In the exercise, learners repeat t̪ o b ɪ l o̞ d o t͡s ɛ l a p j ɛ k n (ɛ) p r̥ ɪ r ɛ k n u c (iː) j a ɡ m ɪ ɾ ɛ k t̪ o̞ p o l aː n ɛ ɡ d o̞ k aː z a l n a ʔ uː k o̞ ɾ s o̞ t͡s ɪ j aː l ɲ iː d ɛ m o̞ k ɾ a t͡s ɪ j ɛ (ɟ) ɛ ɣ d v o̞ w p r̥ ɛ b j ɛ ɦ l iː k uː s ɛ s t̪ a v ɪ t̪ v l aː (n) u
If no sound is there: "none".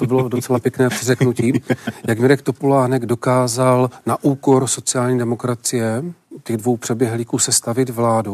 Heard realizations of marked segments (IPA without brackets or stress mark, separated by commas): ɛː, iː, c, d